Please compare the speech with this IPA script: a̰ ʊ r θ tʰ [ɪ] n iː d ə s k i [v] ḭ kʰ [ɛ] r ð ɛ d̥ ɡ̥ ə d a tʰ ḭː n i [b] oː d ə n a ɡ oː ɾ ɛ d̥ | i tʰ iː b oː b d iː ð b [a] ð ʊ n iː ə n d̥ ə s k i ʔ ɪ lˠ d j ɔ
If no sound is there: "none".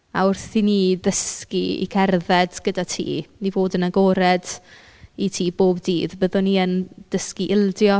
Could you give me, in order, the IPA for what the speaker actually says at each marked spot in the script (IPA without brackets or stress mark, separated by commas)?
i, none, ɛ, v, ə